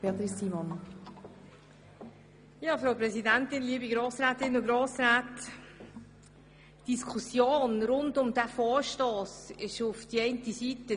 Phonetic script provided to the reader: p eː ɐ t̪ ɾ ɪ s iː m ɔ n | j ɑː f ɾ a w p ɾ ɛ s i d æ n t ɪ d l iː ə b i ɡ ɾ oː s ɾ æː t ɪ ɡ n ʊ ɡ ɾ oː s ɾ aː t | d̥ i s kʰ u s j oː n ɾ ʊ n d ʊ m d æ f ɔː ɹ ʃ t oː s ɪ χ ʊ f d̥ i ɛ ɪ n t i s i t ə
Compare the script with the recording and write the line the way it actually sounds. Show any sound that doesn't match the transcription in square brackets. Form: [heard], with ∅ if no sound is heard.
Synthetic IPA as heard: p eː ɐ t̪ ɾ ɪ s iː m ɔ n | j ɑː f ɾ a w p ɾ ɛ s i d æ n t ɪ [n] l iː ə b i ɡ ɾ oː s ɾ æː t ɪ [∅] n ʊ ɡ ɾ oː s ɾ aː t | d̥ i s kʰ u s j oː n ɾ ʊ n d ʊ m d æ f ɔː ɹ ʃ t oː s ɪ [ʃ] ʊ f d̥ i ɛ ɪ n t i s i t ə

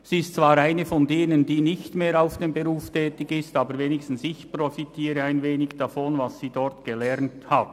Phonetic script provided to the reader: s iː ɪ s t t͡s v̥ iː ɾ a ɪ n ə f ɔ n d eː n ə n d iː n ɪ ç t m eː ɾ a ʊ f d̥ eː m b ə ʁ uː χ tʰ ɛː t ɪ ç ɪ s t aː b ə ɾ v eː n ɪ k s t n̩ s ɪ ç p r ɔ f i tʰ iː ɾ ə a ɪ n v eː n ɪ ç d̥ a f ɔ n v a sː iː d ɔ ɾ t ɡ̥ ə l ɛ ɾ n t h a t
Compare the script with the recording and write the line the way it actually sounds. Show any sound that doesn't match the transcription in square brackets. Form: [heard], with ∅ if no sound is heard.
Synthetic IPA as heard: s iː ɪ s t t͡s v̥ [aː] ɾ a ɪ n ə f ɔ n d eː n ə n d iː n ɪ ç t m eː ɾ a ʊ f d̥ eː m b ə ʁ uː [f] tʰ ɛː t ɪ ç ɪ s t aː b ə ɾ v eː n ɪ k s t n̩ s ɪ ç p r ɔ f i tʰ iː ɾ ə a ɪ n v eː n ɪ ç d̥ a f ɔ n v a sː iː d ɔ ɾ t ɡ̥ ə l ɛ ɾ n t h a t

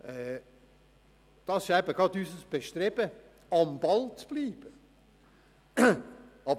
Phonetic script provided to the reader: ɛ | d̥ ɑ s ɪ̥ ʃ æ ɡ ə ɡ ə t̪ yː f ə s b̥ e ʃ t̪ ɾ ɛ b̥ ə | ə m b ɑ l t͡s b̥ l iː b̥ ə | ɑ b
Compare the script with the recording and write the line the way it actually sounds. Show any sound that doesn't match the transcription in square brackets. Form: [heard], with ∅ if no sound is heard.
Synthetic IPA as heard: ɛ | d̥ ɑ s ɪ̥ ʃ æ [b] ə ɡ [ɑ] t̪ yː [s] ə s b̥ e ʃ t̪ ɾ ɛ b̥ ə | [ɑ] m b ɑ l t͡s b̥ l iː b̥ ə | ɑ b

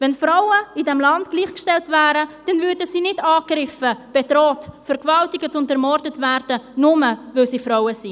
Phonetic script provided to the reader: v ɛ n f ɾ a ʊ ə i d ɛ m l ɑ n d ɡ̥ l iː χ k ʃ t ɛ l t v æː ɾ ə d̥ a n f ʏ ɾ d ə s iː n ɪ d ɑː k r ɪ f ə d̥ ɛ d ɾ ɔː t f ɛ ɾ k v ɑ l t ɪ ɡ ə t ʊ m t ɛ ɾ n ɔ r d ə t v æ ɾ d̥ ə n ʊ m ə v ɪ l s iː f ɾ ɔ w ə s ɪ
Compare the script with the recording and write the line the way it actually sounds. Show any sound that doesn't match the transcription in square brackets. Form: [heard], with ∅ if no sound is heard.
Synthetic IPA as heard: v ɛ n f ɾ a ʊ ə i d ɛ m l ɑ n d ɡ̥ l iː χ k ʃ t ɛ l t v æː ɾ ə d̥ [ɛ] n [v] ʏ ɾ d ə s iː n ɪ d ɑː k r ɪ f ə [b̥] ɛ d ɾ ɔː t f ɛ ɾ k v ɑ l t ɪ ɡ ə t ʊ [n] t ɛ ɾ [m] ɔ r d ə t v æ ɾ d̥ ə n ʊ m ə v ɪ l s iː f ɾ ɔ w ə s [i]

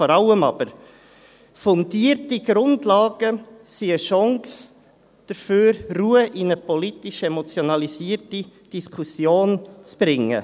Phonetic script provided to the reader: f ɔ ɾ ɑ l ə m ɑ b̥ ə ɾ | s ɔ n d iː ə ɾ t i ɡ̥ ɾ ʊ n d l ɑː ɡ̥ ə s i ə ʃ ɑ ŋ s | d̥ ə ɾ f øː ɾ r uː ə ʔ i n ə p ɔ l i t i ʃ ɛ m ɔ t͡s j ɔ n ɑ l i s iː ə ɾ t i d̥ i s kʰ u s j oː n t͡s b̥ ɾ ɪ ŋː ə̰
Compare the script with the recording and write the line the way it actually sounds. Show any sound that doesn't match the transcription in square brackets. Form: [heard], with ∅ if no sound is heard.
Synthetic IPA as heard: f ɔ ɾ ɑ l ə m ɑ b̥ ə ɾ | [f] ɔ n d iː ə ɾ t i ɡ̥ ɾ ʊ n d l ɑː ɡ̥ ə s i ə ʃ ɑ ŋ s | d̥ ə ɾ f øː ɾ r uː ə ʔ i n ə p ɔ l i t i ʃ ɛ m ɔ t͡s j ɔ n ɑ l i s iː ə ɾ t i d̥ i s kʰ u s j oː n t͡s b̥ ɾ ɪ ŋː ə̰

